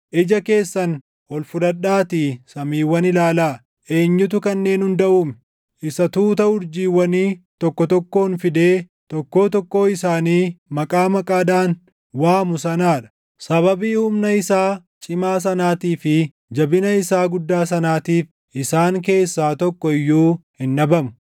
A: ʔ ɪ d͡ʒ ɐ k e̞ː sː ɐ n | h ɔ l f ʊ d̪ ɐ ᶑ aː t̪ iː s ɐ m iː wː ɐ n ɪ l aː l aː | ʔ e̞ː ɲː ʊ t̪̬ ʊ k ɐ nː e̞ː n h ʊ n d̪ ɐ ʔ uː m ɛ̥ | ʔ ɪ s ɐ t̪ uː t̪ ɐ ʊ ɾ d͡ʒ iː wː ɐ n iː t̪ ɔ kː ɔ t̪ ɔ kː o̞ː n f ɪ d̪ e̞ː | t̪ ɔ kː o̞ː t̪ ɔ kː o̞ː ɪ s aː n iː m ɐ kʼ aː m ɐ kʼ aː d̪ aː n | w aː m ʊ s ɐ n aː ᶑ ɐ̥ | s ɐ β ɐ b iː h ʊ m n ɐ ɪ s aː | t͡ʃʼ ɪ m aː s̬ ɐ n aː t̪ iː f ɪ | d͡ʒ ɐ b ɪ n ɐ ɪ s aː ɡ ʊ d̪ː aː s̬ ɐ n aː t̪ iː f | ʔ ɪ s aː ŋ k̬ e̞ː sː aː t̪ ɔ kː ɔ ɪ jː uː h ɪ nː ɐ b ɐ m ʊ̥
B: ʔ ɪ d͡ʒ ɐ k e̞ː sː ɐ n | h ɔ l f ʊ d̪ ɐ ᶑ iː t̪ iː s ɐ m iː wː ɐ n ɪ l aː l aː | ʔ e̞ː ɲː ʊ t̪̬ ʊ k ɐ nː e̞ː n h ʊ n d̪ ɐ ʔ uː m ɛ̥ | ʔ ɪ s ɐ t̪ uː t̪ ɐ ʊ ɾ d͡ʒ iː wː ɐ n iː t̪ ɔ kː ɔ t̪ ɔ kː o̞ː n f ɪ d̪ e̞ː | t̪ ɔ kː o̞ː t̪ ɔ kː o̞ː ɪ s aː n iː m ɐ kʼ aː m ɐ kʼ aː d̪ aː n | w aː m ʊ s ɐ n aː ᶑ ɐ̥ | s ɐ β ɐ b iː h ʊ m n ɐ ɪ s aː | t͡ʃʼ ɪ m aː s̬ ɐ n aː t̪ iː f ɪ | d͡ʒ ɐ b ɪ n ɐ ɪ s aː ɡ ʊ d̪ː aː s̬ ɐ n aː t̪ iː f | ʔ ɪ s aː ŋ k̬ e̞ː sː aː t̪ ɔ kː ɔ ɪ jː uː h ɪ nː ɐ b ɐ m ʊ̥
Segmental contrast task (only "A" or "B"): A